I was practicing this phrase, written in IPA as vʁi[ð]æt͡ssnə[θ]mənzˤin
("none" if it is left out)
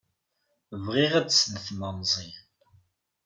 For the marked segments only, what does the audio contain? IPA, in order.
ʁ, θ

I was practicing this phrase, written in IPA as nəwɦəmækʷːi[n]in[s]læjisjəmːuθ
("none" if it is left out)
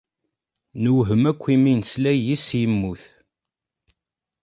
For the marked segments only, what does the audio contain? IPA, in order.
m, s

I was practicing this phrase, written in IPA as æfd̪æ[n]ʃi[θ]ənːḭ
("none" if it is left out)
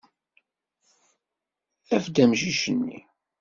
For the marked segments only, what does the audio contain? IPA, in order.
m, ʃ

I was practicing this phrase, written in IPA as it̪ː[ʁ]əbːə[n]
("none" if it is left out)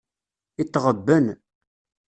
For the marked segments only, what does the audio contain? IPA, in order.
ʁ, n

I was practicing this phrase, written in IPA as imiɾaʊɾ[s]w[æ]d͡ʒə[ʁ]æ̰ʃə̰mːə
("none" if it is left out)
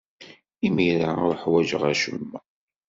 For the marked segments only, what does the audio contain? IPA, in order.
ħ, æ, ʁ

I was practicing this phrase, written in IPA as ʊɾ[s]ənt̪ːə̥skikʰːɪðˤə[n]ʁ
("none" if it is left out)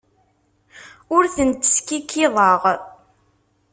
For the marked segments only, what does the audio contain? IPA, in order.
θ, none

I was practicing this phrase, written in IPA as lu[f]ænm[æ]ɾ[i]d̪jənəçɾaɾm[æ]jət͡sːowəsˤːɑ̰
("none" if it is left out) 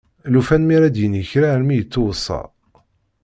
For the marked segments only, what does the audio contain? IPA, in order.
f, i, æ, i

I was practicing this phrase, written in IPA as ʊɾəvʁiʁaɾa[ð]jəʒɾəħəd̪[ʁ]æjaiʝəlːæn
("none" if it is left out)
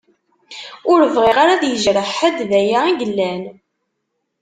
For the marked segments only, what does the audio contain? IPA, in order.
ð, ð

